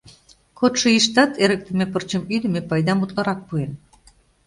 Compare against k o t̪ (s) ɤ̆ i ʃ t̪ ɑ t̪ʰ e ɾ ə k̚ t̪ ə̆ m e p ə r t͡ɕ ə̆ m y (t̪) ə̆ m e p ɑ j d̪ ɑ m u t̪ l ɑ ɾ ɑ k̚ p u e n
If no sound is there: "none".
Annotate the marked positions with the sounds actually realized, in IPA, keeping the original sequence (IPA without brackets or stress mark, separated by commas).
ʃ, d̪